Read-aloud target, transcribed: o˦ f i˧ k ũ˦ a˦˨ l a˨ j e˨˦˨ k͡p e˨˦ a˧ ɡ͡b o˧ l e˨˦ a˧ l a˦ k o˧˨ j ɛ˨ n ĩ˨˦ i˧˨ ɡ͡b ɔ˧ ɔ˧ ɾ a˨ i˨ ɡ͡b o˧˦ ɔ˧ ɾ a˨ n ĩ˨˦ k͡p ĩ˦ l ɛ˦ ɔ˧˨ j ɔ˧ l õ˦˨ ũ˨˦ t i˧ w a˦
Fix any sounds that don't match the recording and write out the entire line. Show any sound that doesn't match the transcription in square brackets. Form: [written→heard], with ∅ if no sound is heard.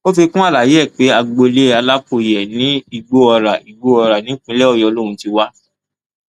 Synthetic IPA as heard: o˦ f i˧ k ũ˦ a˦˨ l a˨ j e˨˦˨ k͡p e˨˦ a˧ ɡ͡b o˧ l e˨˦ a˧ l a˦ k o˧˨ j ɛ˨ n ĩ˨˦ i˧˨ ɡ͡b [ɔ˧→o˧] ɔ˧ ɾ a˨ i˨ ɡ͡b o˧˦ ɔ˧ ɾ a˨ n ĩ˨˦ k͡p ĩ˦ l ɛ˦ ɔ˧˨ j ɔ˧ l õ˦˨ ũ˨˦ t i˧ w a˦